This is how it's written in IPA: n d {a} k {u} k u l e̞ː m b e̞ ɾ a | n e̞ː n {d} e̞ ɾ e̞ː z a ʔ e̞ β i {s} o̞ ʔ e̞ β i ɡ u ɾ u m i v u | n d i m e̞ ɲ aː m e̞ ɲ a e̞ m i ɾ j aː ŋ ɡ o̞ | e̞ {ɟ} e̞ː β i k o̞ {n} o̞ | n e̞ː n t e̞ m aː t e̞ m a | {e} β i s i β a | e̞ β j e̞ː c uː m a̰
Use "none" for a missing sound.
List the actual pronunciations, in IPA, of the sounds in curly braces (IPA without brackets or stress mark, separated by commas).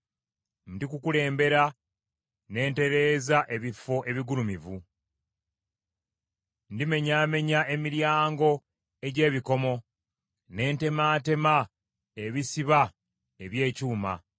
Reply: i, u, t, f, ɟ, m, e